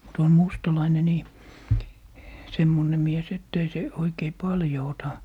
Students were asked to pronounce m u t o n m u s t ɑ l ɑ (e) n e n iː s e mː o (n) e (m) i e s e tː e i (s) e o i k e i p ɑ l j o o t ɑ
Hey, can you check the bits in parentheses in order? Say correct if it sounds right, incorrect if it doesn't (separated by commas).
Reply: incorrect, correct, correct, correct